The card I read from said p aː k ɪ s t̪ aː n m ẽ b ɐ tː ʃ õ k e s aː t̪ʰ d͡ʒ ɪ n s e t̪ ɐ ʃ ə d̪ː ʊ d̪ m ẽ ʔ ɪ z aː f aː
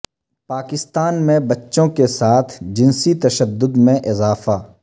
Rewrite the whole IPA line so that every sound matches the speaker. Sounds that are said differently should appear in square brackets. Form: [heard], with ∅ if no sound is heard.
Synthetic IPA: p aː k ɪ s t̪ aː n m ẽ b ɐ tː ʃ õ k e s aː t̪ʰ d͡ʒ ɪ n s [i] t̪ ɐ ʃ ə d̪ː ʊ d̪ m ẽ ʔ ɪ z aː f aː